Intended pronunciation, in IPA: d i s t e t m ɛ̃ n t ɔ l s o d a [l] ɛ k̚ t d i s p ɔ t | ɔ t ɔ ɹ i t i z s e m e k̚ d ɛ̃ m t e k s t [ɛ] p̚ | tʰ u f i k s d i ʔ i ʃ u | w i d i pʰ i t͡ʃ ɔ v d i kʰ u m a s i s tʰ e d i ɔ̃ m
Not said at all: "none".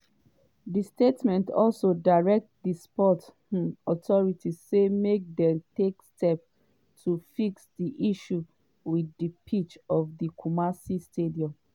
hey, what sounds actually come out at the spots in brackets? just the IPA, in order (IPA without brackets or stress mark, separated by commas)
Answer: ɹ, ɛ